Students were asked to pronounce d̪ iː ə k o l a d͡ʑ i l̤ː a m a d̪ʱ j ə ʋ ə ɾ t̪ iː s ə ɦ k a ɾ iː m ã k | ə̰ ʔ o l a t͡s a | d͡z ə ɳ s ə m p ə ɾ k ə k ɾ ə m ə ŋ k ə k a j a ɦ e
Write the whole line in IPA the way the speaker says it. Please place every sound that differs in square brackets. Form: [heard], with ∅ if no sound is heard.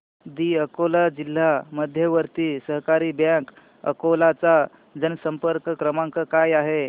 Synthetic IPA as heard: d̪ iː ə k o l a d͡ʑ i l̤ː a m [ə] d̪ʱ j ə ʋ ə ɾ t̪ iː s ə ɦ k a ɾ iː [b] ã k | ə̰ [k] o l a t͡s a | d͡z ə [n] s ə m p ə ɾ k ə k ɾ ə m [a] ŋ k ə k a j a ɦ e